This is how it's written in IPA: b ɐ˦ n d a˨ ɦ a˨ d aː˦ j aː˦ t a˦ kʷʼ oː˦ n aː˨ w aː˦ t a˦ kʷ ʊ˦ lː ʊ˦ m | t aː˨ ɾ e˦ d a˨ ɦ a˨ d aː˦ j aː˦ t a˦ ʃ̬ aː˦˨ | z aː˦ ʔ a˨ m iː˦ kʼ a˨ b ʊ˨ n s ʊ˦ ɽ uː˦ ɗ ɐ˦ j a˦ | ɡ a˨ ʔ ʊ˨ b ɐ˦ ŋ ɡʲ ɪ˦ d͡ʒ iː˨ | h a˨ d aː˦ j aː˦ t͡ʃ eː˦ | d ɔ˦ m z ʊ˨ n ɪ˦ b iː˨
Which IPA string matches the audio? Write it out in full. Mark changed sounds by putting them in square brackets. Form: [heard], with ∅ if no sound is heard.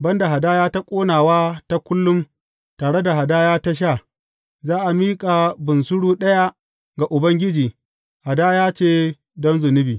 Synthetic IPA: b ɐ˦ n d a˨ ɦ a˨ d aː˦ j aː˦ t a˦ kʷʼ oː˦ n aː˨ w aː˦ t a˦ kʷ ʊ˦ lː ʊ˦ m | t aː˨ [ɽ] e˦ d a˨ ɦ a˨ d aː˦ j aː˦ t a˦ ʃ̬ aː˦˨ | z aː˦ ʔ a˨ m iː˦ kʼ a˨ b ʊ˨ n s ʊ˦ ɽ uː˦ ɗ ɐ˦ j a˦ | ɡ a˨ ʔ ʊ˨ b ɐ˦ ŋ ɡʲ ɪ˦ d͡ʒ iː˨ | h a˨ d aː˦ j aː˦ t͡ʃ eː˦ | d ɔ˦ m z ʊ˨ n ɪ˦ b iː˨